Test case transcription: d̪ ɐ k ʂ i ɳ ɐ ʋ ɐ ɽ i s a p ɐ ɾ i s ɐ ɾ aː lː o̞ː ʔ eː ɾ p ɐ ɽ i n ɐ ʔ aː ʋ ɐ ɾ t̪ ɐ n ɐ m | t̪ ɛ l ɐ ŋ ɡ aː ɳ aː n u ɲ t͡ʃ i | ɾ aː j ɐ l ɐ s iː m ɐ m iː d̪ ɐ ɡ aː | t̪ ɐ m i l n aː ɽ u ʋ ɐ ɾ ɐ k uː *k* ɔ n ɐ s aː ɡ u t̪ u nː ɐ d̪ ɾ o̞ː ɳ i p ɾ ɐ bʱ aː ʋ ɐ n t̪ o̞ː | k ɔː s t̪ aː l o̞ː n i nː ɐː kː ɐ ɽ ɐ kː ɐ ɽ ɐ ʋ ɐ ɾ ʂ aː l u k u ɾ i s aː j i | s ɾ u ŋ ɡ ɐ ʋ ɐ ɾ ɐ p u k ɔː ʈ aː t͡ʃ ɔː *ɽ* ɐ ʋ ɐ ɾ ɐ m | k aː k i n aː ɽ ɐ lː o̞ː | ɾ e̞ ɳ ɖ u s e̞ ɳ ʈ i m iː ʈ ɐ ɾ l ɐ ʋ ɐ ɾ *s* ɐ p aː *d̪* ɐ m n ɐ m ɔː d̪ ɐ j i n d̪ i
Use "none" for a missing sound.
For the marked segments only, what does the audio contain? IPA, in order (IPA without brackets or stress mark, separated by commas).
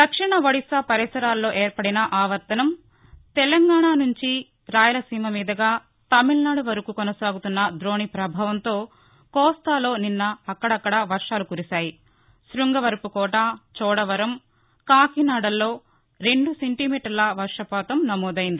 k, ɽ, ʂ, t̪